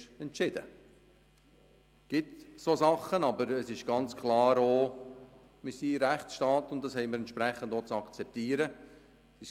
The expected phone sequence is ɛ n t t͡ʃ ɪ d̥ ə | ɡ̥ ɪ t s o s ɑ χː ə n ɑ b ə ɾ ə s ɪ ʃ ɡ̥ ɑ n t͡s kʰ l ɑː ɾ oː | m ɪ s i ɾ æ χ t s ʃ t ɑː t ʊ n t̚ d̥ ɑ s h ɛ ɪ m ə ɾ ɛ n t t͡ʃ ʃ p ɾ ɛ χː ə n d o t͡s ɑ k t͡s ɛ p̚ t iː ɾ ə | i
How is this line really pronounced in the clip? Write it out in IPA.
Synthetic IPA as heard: ɛ n t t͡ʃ ɪ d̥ ə | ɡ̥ ɪ t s o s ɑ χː ə n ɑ b ə ɾ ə s ɪ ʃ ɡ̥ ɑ n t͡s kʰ l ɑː ɾ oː | m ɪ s i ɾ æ χ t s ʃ t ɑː t ʊ n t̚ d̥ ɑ s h ɛ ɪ m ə ɾ ɛ n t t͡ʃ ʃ p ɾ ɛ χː ə n d o t͡s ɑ k t͡s ɛ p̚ t iː ɾ ə | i